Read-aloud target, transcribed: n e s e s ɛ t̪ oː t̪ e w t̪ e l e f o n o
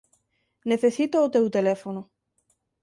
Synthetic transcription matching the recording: n e θ e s i t̪ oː t̪ e w t̪ e l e f o n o